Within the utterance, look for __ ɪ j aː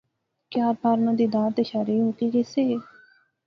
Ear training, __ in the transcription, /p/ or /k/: k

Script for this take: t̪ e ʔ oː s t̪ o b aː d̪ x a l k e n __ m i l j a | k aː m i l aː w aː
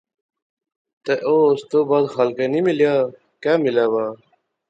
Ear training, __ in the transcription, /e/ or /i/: i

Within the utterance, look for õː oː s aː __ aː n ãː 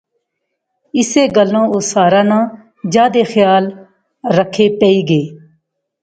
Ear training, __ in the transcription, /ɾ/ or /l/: ɾ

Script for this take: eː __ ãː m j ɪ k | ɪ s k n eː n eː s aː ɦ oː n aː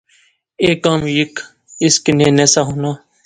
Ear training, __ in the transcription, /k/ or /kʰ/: k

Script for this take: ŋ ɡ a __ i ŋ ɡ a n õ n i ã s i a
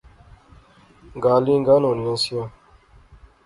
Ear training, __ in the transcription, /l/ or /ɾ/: l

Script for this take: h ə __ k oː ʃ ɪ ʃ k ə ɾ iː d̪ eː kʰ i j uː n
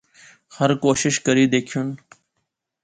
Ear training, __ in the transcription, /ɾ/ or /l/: ɾ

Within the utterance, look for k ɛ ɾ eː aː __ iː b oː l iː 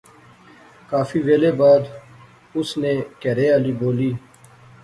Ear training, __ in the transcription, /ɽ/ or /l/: l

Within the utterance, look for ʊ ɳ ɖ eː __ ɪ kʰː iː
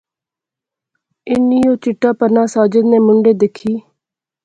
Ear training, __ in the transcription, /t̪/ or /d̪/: d̪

